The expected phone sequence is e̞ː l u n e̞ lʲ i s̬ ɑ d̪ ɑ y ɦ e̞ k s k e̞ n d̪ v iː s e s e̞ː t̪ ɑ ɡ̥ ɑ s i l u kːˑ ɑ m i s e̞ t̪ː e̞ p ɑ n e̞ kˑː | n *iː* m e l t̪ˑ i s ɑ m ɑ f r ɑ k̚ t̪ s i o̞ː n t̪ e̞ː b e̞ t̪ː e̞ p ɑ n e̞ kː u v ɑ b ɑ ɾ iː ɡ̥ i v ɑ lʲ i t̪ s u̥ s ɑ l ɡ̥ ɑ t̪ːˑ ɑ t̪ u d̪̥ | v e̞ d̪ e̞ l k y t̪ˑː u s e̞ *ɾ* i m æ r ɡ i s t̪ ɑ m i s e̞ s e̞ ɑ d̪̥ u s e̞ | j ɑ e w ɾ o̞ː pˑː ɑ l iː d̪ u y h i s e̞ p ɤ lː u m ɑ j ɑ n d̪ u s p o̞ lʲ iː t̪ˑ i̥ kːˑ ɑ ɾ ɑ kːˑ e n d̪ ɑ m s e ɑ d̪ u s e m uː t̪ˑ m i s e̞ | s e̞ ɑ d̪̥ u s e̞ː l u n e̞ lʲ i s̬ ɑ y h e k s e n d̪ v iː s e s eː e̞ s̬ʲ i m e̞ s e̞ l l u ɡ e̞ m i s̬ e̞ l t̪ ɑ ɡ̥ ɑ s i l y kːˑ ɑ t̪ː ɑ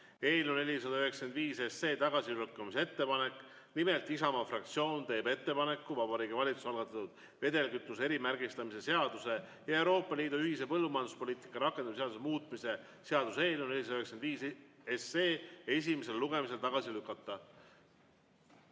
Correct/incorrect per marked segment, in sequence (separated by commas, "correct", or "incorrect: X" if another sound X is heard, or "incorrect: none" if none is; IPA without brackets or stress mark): incorrect: i, correct